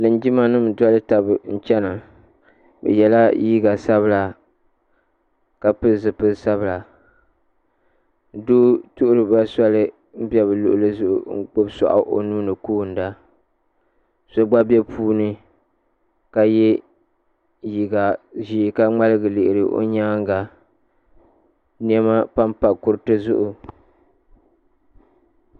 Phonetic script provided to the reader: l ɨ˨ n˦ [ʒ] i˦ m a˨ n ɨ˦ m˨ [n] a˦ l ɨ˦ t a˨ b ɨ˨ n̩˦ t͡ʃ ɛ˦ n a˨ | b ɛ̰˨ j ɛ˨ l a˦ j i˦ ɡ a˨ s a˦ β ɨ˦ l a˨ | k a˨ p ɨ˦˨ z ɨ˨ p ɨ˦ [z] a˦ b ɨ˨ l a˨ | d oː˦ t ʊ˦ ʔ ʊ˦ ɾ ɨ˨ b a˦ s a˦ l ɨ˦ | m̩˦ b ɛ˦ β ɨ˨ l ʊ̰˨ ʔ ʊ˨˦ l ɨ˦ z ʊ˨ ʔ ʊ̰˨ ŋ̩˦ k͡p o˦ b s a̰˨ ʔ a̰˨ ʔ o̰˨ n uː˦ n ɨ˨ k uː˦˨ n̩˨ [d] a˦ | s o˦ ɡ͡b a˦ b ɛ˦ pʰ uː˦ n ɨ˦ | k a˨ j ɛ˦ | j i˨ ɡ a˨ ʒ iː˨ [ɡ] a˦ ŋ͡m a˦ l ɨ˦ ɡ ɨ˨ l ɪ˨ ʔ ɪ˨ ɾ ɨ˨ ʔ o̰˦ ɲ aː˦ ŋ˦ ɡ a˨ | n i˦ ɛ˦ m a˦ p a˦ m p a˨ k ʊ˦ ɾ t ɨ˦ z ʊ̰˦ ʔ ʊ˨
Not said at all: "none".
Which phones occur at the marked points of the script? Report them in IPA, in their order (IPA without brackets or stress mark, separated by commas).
d͡ʒ, d, s, d, k